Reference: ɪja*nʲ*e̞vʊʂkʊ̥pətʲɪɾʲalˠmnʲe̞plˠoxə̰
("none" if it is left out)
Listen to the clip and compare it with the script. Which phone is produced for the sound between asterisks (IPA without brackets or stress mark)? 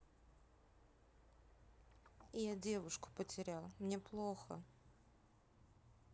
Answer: dʲ